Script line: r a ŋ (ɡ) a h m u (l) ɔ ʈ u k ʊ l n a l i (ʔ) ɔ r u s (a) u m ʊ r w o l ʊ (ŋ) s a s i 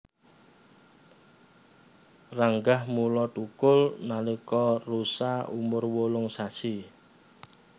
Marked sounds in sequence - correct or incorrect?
correct, correct, incorrect: k, correct, correct

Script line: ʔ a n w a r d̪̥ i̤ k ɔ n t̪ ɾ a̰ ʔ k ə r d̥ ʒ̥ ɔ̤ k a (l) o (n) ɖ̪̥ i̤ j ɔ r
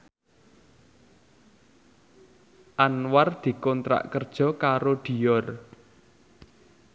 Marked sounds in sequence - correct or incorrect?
incorrect: ɾ, incorrect: none

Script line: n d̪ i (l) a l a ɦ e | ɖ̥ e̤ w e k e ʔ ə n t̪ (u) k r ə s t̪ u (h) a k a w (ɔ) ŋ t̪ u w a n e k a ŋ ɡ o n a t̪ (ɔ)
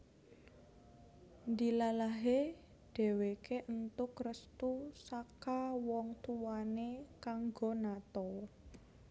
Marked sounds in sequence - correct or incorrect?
correct, incorrect: ʊ, incorrect: s, correct, correct

